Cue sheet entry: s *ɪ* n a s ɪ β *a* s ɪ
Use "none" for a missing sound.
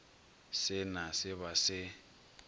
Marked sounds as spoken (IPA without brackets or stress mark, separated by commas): ɪ, a